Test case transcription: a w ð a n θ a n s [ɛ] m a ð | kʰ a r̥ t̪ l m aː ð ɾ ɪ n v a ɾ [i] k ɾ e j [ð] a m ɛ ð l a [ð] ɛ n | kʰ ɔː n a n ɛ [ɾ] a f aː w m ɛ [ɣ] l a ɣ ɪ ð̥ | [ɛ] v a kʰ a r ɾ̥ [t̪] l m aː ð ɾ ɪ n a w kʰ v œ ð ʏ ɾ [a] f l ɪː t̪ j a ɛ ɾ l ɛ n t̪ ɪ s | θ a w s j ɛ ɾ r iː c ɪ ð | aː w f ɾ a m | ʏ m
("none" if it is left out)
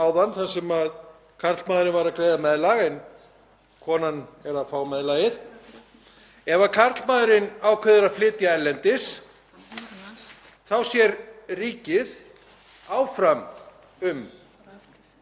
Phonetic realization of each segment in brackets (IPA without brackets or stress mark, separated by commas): ɛ, a, ð, ɣ, ɾ, ð, ɛ, t̪, a